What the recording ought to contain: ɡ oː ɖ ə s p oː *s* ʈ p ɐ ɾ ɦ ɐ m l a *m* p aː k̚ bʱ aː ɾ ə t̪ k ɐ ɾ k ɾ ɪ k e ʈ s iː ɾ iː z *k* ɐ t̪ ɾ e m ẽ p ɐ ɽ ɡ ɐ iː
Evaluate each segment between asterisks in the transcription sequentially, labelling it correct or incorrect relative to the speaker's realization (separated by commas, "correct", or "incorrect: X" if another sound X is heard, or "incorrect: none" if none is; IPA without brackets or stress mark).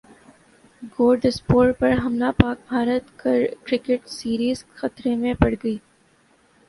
incorrect: none, incorrect: none, incorrect: x